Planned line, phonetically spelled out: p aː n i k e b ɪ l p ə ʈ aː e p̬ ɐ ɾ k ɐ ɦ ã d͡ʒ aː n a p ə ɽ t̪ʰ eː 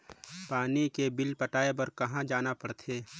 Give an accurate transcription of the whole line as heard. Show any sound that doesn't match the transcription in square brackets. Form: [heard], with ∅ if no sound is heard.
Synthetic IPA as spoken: p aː n i k e b ɪ l p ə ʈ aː e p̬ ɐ ɾ k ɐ ɦ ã d͡ʒ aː n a p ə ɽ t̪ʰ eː

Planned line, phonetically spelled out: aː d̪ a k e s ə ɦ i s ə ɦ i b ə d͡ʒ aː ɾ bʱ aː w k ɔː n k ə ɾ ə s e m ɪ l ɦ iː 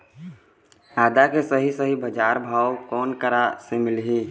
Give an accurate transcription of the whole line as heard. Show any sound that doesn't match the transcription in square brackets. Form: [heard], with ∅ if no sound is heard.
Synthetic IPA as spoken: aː d̪ a k e s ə ɦ i s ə ɦ i b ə d͡ʒ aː ɾ bʱ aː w k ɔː n k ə ɾ [a] s e m ɪ l ɦ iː

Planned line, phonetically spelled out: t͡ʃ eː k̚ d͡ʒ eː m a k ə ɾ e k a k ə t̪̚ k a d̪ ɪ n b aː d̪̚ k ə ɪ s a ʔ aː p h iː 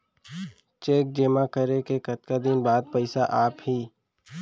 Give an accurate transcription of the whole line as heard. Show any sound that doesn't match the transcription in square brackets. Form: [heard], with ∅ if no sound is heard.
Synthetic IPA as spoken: t͡ʃ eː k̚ d͡ʒ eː m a k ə ɾ e k [e] k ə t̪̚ k a d̪ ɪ n b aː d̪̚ [p] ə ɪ s a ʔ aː p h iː

